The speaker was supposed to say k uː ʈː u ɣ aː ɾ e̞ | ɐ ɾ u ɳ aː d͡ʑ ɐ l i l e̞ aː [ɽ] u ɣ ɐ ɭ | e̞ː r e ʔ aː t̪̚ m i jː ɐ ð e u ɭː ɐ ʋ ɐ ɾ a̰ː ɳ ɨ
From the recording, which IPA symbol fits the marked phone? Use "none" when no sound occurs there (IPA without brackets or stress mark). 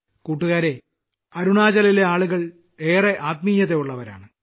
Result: ɭ